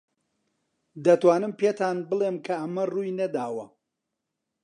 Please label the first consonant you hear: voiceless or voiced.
voiced